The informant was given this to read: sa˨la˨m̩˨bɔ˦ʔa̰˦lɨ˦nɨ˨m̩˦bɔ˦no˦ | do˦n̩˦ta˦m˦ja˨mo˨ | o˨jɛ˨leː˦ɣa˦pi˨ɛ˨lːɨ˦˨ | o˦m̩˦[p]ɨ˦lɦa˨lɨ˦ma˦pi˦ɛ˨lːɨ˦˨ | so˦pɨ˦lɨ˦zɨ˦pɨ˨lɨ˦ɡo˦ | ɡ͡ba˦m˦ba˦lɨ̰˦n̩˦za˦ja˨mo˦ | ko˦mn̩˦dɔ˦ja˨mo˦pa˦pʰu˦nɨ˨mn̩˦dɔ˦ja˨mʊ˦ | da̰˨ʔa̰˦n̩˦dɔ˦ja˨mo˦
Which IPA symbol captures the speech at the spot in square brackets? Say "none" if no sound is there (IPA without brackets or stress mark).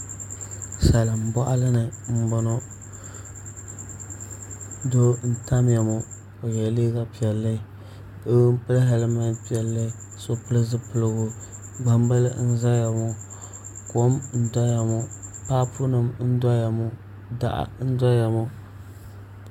p